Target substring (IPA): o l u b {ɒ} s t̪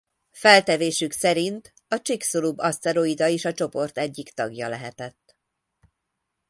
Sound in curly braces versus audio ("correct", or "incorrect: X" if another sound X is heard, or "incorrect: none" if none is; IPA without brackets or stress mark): correct